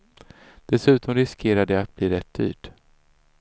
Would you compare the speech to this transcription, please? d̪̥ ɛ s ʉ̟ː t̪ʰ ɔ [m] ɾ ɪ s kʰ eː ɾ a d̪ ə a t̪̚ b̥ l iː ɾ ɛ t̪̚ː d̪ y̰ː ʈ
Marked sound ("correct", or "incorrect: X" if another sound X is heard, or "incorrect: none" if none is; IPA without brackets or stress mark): correct